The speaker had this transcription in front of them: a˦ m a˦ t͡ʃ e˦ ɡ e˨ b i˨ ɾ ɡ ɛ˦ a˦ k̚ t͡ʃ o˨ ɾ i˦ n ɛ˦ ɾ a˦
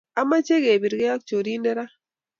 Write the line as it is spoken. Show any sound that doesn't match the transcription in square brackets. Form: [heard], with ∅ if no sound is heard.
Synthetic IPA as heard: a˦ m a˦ t͡ʃ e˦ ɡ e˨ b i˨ ɾ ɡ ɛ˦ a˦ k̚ t͡ʃ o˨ ɾ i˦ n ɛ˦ ɾ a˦